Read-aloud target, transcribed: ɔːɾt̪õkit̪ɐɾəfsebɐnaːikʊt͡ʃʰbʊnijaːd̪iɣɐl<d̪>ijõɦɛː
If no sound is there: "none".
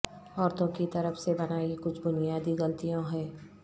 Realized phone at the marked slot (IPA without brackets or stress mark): t̪